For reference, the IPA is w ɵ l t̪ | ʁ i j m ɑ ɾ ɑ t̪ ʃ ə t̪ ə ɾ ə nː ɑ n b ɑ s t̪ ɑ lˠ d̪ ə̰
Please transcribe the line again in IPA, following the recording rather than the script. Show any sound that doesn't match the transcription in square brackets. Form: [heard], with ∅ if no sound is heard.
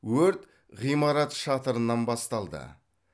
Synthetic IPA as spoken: w ɵ [ɾ] t̪ | ʁ i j m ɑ ɾ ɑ t̪ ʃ [ɑ] t̪ ə ɾ ə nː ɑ n b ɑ s t̪ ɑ lˠ d̪ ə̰

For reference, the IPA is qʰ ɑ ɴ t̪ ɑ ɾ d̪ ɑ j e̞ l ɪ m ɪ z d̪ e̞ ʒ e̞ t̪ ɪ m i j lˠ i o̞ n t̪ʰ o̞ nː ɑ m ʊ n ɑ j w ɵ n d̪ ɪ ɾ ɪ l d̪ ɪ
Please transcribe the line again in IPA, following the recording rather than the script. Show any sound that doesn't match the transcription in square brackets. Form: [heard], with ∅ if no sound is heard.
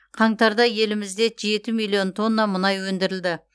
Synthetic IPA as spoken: qʰ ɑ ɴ t̪ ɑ ɾ d̪ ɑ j e̞ l ɪ m ɪ z d̪ e̞ ʒ e̞ t̪ ɪ m i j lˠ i o̞ n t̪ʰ o̞ nː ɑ m ʊ n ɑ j w ɵ n d̪ ɪ ɾ ɪ l d̪ ɪ

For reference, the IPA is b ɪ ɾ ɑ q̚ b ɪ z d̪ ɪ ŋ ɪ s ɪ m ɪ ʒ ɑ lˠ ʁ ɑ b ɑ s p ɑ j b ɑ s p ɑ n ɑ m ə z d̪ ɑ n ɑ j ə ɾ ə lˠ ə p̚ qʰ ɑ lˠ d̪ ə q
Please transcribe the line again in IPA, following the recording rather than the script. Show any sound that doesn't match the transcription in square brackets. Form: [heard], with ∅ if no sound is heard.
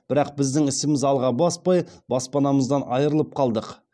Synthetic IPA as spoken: b ɪ ɾ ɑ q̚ b ɪ z d̪ ɪ ŋ ɪ s ɪ m ɪ [z] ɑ lˠ ʁ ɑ b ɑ s p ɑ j b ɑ s p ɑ n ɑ m ə z d̪ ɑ n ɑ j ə ɾ ə lˠ ə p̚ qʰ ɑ lˠ d̪ ə q

